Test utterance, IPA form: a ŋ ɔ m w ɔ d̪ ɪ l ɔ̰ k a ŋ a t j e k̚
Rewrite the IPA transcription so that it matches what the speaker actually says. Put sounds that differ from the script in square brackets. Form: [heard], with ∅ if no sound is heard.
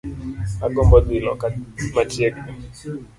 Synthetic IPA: a [ɡ] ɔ m [b] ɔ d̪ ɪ l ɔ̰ k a [m] a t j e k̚